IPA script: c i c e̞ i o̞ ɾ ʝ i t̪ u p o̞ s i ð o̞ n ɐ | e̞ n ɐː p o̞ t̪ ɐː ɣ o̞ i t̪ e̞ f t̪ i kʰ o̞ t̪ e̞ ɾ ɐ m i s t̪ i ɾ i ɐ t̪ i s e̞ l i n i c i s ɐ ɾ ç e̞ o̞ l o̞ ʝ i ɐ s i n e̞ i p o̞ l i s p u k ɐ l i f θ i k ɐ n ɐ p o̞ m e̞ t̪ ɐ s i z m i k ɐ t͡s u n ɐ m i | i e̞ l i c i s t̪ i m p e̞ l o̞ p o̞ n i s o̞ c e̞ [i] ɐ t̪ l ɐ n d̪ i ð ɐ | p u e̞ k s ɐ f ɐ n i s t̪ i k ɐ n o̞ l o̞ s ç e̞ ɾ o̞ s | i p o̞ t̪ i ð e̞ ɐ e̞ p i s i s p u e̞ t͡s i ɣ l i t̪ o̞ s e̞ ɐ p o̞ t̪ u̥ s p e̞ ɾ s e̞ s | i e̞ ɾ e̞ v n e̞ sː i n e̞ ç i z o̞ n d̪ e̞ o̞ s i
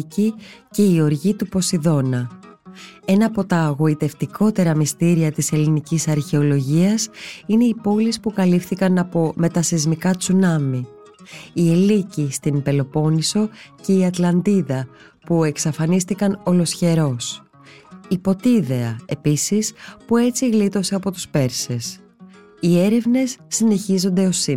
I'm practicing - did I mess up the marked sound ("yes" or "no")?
no